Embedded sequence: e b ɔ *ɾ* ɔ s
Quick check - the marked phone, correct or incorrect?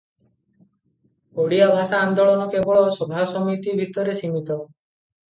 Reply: incorrect